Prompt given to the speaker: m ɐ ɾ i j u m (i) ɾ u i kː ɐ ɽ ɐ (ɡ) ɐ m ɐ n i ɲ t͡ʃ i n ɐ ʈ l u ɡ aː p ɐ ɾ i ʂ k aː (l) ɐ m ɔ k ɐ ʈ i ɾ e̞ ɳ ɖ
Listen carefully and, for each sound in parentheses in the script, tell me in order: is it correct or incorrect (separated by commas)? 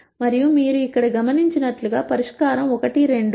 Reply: incorrect, correct, incorrect